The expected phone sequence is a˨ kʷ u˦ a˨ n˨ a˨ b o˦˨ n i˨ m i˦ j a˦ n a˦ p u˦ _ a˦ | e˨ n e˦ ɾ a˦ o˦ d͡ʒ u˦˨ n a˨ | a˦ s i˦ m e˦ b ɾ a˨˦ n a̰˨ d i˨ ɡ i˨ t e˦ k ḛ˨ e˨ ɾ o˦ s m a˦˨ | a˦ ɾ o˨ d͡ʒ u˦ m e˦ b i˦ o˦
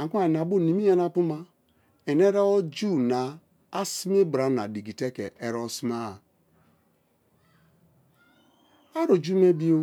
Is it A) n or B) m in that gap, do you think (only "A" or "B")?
B